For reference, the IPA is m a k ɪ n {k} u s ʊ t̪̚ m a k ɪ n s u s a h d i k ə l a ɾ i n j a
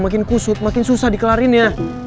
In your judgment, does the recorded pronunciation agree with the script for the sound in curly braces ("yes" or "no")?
yes